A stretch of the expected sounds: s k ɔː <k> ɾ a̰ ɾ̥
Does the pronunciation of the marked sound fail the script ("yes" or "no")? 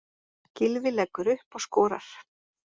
yes